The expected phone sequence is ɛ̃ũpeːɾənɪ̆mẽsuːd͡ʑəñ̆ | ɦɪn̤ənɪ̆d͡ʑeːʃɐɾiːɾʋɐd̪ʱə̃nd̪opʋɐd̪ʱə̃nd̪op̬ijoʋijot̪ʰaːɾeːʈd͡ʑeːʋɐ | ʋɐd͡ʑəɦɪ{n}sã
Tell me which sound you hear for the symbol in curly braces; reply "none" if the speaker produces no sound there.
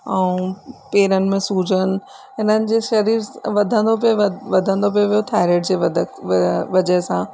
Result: none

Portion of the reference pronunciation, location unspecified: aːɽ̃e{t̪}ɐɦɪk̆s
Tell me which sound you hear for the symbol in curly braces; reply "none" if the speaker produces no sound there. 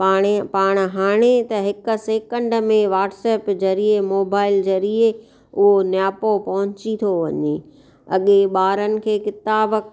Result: t̪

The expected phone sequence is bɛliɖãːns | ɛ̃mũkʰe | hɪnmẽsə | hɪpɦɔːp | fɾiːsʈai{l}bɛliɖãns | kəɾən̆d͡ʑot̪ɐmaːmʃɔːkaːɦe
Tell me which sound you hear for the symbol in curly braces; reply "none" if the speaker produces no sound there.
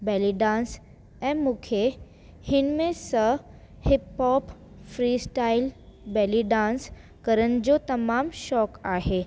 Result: l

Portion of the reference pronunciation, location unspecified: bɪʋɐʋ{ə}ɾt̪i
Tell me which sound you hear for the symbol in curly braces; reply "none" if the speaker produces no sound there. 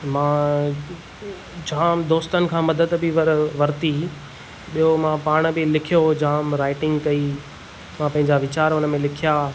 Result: ɐ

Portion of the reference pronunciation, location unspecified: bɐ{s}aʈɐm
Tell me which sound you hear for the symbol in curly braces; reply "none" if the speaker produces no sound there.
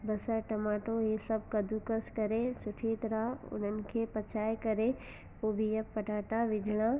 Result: s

